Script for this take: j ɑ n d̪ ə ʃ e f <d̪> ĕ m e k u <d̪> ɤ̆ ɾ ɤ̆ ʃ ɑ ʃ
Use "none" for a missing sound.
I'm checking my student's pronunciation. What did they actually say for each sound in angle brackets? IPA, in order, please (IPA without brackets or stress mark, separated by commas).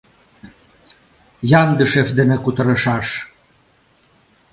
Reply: d̪, t̪